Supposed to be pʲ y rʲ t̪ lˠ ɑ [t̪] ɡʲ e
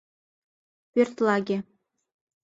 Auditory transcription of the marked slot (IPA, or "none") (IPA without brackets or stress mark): none